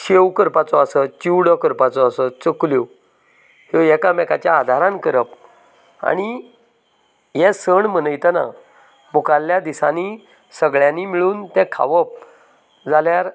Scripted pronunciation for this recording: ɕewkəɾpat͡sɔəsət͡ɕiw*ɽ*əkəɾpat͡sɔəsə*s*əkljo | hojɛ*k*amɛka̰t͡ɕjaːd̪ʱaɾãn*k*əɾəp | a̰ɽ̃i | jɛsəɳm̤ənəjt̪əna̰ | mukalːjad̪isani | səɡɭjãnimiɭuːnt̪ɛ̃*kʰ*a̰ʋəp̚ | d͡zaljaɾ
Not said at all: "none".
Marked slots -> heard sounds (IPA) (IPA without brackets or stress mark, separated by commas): ɽ, t͡s, k, k, kʰ